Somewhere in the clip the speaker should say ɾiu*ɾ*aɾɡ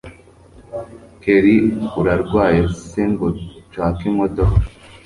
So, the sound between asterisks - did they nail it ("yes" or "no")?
yes